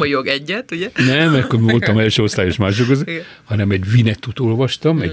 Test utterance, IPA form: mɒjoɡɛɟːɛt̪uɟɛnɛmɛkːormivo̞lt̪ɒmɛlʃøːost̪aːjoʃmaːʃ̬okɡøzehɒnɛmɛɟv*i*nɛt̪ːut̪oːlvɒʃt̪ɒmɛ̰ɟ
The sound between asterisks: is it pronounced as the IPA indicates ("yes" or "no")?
yes